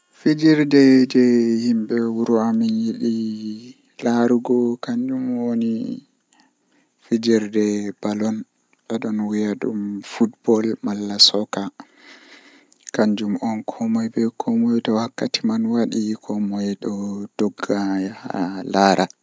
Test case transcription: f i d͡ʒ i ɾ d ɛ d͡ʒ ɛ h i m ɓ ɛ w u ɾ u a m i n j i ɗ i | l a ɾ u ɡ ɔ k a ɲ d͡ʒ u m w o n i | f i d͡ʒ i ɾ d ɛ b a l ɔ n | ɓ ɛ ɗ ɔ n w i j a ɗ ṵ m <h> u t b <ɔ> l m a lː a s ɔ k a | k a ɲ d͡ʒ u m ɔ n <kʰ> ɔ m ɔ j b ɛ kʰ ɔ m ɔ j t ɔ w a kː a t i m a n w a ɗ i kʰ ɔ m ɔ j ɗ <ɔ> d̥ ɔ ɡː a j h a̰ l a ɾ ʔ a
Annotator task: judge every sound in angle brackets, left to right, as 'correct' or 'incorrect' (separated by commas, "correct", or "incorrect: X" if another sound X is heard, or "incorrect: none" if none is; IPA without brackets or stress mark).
incorrect: f, correct, correct, correct